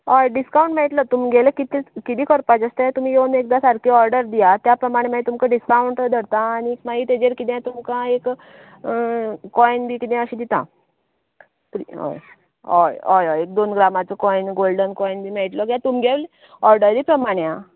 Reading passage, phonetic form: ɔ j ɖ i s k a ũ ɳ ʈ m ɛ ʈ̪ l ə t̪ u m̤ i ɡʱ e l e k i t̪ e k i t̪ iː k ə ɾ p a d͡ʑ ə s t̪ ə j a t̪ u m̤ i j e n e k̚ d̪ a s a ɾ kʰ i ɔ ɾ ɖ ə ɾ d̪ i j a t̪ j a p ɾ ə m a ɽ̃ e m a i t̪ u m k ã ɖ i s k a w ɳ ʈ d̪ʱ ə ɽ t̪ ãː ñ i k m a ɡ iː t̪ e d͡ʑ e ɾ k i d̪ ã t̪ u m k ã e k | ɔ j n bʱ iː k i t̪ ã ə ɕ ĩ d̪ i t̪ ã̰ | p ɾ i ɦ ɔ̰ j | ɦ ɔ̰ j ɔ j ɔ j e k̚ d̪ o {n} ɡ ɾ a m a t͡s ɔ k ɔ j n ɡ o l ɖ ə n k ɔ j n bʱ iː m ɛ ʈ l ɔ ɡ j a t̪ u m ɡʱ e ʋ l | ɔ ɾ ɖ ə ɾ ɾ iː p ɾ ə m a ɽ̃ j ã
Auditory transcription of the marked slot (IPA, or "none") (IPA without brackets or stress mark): n